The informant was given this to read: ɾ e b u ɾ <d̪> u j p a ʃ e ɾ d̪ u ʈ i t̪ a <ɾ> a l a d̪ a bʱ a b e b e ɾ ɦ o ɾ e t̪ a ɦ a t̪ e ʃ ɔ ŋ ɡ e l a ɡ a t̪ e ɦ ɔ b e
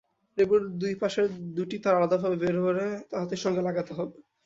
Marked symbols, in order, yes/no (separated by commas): yes, yes